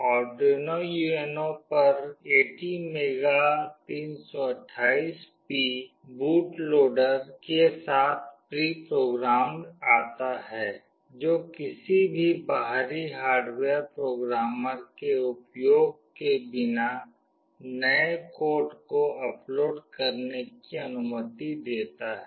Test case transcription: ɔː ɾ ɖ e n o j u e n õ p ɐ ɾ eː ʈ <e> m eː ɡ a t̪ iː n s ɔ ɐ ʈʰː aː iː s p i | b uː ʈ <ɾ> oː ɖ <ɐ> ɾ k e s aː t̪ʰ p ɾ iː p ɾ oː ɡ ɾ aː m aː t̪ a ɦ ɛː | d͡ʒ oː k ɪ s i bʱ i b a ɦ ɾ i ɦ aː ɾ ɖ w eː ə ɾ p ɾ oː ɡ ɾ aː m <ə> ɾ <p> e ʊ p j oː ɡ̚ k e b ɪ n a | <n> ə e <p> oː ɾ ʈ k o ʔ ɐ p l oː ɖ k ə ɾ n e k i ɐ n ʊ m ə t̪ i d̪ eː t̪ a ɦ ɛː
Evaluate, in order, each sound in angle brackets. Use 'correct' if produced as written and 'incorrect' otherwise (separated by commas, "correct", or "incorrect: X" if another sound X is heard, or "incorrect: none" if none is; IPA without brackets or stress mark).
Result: incorrect: i, incorrect: l, incorrect: ə, correct, incorrect: k, correct, incorrect: k